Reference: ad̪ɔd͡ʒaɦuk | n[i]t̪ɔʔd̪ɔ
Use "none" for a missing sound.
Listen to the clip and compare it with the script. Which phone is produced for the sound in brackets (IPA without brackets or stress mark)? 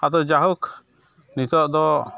i